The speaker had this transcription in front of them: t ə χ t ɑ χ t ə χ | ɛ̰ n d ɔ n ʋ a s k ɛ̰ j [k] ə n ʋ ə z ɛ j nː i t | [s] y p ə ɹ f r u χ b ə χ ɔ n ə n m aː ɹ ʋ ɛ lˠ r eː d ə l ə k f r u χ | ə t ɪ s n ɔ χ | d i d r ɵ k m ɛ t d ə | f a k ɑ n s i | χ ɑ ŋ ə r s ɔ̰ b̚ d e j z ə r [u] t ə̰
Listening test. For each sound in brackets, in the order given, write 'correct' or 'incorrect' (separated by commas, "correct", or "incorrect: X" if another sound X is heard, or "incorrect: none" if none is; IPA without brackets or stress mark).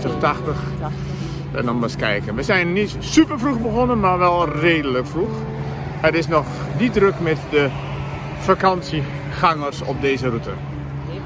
correct, correct, correct